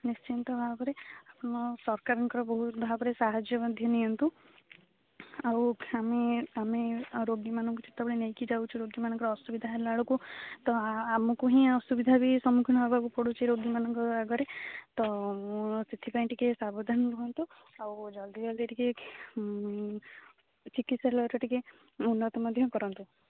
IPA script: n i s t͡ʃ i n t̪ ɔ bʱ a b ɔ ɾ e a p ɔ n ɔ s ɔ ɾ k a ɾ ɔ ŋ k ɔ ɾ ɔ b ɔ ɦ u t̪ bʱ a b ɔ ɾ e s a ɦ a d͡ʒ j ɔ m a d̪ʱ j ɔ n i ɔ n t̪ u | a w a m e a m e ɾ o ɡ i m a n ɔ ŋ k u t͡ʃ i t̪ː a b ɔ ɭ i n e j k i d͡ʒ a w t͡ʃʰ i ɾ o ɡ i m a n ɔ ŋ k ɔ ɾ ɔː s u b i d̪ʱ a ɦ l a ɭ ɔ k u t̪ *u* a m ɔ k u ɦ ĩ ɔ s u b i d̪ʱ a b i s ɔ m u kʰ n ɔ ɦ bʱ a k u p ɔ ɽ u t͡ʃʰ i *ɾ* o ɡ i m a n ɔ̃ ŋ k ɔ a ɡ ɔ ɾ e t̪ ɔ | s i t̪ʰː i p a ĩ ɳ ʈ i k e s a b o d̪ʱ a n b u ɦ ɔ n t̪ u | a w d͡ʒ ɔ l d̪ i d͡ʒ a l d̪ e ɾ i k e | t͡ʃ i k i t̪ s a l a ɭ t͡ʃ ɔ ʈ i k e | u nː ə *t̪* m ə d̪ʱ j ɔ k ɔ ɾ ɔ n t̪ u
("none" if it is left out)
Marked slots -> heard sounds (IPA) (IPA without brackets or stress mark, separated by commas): ɔ, ɾ, t̪